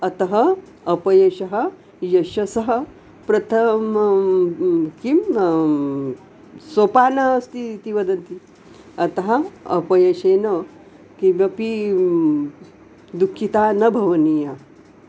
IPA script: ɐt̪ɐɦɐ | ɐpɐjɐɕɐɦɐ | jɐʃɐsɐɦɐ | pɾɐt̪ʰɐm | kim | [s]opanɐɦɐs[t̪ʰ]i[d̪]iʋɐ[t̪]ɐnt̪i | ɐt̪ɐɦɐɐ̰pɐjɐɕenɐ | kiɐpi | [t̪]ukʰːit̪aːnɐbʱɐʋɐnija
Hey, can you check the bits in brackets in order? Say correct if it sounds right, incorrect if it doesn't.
correct, incorrect, incorrect, incorrect, incorrect

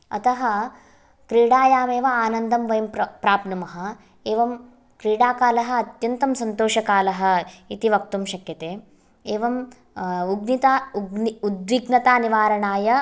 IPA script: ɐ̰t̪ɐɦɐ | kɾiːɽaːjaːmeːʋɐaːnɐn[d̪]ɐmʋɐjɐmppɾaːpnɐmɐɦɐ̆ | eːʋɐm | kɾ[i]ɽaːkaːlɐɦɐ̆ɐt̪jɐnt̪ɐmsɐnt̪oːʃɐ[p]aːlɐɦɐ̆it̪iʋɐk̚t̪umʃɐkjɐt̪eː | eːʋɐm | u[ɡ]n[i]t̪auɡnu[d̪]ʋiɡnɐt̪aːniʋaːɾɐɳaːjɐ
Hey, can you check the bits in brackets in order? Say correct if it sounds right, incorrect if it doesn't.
correct, incorrect, incorrect, correct, correct, correct

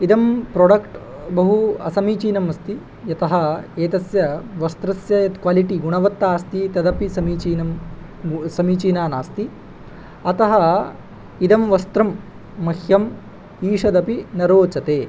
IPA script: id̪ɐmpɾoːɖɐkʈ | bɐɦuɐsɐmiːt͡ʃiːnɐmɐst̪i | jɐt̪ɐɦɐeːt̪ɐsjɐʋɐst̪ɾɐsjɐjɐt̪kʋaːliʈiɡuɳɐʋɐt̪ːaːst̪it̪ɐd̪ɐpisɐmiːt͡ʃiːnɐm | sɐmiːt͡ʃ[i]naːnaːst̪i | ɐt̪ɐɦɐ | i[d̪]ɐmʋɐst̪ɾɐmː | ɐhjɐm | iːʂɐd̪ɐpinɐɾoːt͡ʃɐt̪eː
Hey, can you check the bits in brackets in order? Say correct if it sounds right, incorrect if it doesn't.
incorrect, correct

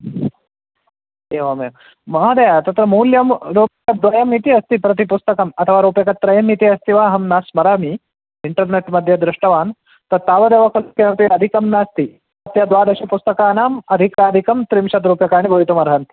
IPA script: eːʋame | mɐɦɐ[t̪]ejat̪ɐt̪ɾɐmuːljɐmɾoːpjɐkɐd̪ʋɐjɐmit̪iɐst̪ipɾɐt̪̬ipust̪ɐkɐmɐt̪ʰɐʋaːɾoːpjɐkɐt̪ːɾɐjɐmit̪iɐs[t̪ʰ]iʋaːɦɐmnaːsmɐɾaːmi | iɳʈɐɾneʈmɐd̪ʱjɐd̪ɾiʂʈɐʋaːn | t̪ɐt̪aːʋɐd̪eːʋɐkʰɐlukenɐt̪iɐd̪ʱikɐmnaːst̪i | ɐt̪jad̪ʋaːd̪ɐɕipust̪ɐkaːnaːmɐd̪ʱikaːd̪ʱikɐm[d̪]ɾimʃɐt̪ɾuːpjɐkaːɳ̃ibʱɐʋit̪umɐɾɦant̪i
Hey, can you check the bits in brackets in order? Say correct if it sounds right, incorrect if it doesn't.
incorrect, incorrect, incorrect

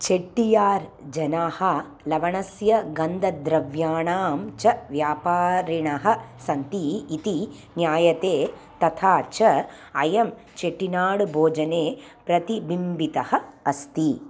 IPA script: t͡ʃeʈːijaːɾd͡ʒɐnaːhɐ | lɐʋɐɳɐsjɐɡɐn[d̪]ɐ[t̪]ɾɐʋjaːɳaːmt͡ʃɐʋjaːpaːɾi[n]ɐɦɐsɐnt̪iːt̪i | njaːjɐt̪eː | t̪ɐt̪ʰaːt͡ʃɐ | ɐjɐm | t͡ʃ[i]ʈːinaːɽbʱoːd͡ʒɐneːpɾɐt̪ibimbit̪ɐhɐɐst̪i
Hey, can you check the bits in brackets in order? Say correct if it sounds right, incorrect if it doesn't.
correct, incorrect, incorrect, incorrect

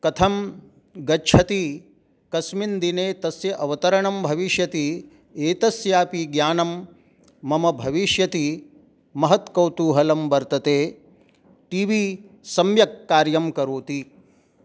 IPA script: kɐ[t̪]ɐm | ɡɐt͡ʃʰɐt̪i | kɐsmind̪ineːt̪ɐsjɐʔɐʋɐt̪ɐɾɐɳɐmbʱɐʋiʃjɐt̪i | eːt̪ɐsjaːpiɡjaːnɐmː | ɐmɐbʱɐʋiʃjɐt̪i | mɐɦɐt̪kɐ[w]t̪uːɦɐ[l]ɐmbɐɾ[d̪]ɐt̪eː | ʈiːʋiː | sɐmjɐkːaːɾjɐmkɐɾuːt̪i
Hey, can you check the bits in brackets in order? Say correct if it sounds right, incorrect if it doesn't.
incorrect, correct, correct, incorrect

